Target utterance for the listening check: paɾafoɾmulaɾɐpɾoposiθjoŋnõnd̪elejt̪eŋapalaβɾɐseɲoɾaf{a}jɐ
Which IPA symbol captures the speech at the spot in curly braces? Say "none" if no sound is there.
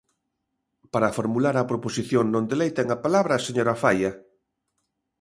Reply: a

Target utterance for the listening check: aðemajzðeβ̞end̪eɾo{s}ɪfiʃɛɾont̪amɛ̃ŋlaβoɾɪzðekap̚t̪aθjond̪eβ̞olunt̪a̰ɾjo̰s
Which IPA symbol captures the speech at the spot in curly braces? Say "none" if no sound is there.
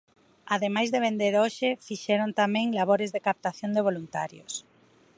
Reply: ʃ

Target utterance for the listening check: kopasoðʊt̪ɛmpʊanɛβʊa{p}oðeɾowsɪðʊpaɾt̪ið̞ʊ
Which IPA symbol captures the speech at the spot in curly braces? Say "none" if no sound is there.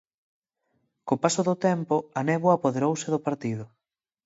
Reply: p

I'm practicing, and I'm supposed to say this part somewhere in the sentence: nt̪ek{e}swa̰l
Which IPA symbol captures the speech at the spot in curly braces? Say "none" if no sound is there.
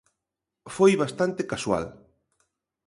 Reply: a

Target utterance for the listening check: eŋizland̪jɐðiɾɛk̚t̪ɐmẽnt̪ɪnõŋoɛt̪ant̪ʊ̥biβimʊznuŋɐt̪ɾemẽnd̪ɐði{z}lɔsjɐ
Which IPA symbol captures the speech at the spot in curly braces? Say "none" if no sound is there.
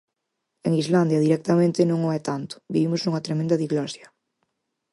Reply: ɣ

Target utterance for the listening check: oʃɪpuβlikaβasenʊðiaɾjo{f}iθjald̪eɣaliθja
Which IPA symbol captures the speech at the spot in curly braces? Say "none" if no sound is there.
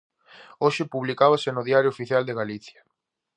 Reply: f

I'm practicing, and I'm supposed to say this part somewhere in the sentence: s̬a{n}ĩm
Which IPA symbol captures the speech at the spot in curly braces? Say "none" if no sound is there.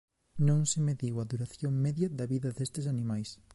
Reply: n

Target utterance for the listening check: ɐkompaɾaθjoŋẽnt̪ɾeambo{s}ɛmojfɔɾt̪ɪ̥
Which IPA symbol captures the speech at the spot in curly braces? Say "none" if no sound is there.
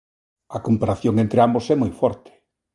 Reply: s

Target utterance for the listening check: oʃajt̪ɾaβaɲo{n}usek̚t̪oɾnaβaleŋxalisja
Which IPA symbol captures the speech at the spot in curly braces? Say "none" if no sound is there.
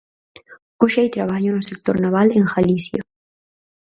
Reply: n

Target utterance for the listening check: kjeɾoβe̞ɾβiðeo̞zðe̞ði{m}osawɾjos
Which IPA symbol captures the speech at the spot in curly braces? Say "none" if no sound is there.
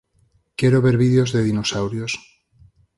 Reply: n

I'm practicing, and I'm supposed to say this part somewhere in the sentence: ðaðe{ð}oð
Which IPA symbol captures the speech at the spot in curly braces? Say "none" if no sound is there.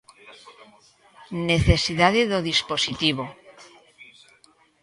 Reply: ð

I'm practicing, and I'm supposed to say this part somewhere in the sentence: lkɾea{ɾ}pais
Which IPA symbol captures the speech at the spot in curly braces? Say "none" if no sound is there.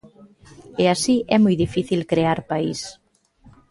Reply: ɾ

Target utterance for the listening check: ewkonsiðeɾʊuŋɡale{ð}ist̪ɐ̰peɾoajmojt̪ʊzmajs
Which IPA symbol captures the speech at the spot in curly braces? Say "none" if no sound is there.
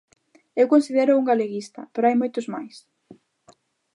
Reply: ɣ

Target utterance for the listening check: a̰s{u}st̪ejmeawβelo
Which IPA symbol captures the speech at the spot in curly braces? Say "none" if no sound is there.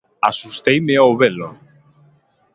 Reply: u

